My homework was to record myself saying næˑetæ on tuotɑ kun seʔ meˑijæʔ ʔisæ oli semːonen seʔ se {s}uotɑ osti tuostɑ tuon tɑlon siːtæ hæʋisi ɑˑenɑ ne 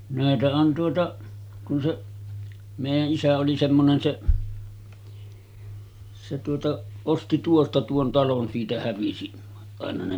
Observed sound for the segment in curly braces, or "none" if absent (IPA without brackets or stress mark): t